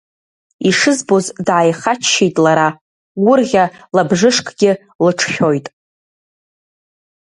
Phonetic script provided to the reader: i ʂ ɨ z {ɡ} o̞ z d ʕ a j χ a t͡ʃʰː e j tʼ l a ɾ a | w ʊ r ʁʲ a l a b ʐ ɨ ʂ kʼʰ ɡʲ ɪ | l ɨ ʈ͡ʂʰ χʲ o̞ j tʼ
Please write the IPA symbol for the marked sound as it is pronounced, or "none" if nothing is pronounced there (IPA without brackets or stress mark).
b